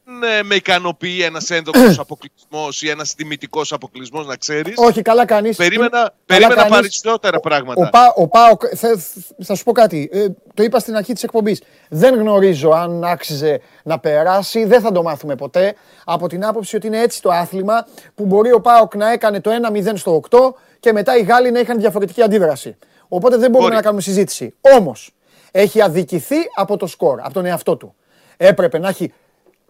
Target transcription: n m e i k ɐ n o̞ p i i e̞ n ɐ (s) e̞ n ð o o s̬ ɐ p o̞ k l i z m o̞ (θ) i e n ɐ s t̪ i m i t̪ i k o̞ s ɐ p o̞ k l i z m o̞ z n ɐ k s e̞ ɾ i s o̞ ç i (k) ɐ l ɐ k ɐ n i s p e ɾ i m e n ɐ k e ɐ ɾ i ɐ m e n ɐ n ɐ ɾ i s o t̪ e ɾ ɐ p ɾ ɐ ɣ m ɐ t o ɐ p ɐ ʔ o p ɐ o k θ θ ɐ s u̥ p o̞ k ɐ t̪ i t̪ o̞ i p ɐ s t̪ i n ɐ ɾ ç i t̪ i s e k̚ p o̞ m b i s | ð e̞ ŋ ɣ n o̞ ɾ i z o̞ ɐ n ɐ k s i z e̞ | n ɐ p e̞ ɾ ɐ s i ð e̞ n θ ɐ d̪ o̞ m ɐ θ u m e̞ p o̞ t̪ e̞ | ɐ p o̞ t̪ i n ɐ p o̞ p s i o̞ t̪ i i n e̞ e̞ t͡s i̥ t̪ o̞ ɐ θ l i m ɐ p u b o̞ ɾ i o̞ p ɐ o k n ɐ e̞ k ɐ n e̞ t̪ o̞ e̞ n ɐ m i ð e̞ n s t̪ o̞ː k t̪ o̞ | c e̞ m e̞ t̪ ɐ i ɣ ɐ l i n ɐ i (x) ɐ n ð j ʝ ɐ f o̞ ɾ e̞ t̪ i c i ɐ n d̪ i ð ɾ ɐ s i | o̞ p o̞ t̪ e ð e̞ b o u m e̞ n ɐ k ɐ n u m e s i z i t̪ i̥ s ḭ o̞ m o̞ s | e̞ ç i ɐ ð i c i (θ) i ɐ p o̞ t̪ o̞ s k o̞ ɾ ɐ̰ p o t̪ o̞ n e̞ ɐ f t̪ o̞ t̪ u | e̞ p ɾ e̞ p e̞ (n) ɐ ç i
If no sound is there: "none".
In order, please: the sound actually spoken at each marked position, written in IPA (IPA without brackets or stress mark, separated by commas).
s, s, k, x, θ, n